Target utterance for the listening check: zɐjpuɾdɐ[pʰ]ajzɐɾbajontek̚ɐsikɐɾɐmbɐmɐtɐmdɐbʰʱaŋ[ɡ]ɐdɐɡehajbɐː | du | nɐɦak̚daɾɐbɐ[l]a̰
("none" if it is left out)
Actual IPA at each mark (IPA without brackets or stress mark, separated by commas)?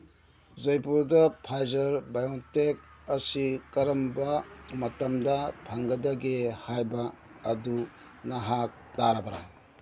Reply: pʰ, ɡ, ɾ